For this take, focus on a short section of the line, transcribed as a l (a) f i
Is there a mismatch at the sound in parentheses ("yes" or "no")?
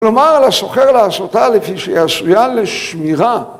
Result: yes